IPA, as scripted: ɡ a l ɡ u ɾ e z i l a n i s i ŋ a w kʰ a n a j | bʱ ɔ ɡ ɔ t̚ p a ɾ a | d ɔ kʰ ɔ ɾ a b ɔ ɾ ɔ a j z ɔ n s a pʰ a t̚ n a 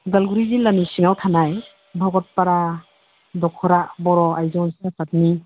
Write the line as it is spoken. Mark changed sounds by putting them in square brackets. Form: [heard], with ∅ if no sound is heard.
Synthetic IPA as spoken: ɡ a l ɡ u ɾ [i] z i l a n i s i ŋ a w [tʰ] a n a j | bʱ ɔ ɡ ɔ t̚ p a ɾ a | d ɔ kʰ ɔ ɾ a b ɔ ɾ ɔ a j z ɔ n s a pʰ a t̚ n [i]